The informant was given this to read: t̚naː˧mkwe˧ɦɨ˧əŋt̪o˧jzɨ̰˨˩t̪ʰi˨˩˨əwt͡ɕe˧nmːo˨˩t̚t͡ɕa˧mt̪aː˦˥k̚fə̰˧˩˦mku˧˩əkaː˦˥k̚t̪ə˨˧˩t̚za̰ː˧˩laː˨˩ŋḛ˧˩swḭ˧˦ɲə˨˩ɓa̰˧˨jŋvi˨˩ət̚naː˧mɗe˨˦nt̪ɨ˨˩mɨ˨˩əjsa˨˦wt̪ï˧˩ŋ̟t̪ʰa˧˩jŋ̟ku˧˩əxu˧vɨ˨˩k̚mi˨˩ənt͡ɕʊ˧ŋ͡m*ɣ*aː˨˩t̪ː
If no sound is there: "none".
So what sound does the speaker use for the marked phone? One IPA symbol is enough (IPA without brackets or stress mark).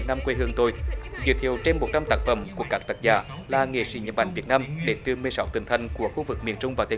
v